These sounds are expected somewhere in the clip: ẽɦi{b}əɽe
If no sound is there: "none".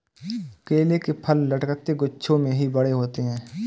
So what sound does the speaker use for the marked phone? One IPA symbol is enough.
b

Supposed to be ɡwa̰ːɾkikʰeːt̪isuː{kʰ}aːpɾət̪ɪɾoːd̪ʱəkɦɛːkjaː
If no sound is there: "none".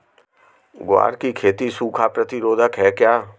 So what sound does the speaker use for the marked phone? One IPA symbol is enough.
kʰ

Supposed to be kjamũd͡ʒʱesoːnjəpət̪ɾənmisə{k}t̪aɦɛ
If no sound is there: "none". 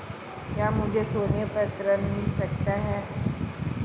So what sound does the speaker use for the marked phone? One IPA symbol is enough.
k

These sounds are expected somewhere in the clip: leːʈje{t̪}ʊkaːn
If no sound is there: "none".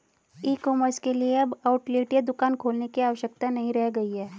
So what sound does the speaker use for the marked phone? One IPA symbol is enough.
d̪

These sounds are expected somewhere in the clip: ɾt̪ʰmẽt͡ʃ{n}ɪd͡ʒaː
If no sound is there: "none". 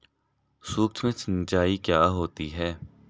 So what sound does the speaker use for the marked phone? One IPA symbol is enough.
n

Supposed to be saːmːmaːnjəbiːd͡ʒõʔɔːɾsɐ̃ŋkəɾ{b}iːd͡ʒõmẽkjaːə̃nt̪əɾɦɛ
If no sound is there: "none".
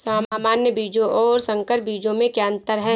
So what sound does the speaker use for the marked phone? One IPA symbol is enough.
b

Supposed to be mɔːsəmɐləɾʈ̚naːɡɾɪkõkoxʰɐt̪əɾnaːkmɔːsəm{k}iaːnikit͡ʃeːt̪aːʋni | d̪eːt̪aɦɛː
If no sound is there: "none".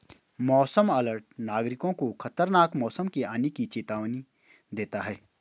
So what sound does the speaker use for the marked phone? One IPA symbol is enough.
k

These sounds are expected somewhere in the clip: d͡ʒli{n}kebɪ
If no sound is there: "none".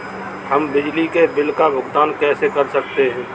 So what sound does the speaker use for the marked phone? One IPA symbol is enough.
none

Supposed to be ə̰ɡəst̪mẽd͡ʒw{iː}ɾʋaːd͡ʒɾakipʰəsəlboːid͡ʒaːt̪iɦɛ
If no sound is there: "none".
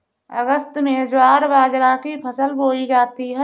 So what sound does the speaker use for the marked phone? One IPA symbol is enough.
aː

